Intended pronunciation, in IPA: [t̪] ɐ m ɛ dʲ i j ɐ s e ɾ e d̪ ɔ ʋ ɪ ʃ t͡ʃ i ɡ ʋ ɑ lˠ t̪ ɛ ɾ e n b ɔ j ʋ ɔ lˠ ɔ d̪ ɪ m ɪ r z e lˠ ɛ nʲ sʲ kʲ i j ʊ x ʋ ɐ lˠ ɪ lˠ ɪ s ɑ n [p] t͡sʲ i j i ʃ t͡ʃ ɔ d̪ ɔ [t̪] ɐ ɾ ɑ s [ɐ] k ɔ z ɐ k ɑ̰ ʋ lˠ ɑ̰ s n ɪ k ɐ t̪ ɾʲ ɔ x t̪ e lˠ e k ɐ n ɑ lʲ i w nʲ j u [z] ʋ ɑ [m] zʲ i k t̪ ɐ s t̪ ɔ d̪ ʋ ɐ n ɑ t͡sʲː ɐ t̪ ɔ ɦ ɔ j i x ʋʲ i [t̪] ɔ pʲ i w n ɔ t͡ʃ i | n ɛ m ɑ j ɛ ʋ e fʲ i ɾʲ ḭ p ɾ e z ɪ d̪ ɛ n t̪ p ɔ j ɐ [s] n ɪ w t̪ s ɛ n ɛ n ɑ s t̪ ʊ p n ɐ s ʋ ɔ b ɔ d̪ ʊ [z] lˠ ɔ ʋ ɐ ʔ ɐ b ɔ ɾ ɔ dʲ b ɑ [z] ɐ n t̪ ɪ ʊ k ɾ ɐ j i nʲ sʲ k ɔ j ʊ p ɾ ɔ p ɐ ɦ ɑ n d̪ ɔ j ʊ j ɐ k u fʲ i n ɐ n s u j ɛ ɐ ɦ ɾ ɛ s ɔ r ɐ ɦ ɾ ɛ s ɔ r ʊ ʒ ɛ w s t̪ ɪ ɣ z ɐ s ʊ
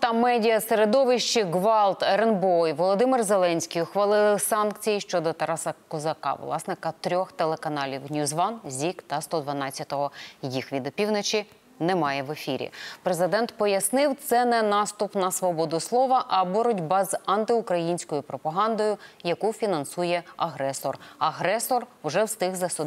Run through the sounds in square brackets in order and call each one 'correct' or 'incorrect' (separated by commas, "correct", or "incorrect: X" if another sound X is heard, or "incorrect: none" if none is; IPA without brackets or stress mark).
correct, incorrect: k, correct, correct, correct, incorrect: n, incorrect: d̪, correct, incorrect: s, correct